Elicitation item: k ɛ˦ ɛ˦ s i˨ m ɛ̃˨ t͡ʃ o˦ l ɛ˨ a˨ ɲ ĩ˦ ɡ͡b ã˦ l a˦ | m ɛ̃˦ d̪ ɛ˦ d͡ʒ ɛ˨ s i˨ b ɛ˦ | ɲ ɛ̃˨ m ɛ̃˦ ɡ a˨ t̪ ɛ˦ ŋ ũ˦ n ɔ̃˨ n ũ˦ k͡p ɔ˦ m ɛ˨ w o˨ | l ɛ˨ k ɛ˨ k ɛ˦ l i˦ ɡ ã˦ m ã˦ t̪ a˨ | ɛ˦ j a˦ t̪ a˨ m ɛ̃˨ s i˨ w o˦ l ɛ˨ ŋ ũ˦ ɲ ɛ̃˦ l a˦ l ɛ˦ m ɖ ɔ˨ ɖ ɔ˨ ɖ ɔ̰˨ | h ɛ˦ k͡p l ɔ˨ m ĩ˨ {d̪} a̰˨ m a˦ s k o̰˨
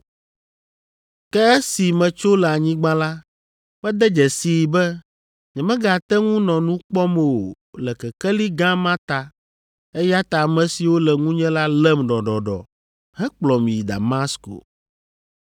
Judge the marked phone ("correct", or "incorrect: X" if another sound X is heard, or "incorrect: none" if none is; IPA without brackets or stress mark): correct